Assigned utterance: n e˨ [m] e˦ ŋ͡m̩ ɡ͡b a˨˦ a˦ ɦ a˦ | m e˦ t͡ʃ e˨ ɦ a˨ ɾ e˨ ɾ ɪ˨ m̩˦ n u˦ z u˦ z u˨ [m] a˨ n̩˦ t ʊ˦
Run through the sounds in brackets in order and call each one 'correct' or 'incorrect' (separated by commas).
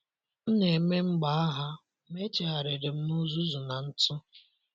correct, incorrect